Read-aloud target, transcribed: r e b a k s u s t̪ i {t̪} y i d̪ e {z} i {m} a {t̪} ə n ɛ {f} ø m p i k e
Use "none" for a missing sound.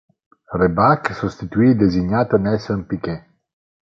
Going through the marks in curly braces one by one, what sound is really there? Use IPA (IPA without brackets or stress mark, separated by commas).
t̪, z, ɲ, t̪, s